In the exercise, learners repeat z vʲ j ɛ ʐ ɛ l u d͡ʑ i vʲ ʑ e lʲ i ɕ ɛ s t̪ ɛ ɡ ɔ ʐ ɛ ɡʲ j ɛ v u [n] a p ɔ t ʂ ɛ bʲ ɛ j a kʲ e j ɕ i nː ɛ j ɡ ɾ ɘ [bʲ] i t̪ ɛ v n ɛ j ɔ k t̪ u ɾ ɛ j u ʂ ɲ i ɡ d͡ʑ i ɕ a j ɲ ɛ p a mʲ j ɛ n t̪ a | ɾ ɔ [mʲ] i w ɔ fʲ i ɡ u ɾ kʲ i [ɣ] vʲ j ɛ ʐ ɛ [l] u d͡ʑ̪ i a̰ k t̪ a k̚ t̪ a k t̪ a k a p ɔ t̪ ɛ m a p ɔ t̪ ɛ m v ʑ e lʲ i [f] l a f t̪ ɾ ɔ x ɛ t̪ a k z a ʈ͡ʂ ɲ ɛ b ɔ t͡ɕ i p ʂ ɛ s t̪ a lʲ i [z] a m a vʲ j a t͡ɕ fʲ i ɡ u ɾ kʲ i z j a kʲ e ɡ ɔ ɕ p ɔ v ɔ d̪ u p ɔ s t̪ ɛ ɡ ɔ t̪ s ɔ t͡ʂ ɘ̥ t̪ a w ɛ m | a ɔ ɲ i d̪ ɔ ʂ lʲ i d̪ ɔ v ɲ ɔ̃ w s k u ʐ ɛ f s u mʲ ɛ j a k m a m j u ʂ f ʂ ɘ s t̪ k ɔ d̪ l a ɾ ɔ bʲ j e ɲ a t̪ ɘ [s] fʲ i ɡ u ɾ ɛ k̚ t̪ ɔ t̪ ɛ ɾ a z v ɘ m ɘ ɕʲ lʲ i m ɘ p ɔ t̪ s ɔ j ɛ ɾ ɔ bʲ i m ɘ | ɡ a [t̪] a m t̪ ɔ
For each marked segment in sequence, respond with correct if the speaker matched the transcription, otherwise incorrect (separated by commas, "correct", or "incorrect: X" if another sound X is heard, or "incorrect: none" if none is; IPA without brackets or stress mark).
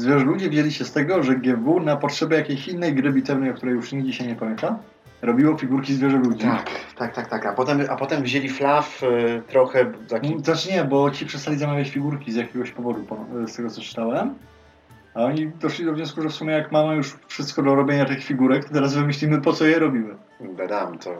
correct, correct, incorrect: bʲ, incorrect: z, correct, correct, correct, incorrect: x, incorrect: d̪